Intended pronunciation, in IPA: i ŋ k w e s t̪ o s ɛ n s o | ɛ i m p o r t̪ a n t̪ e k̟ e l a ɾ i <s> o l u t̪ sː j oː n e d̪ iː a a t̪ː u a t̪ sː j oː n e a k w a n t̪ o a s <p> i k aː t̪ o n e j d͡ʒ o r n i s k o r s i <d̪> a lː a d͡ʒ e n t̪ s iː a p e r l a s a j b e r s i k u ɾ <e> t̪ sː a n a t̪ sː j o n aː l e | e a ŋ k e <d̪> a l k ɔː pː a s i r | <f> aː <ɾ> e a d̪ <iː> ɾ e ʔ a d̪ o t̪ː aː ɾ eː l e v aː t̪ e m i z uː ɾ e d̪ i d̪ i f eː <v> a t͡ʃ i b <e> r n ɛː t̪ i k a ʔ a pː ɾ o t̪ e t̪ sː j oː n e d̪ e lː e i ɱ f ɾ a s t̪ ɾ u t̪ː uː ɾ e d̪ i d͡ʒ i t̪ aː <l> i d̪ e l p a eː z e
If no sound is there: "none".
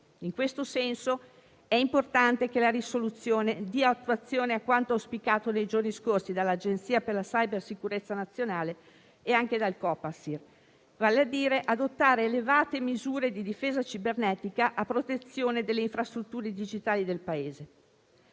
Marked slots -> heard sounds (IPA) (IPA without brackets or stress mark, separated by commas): s, p, d̪, e, d̪, v, l, iː, z, e, l